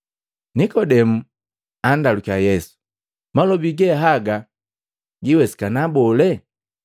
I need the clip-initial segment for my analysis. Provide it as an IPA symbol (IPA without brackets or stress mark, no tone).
n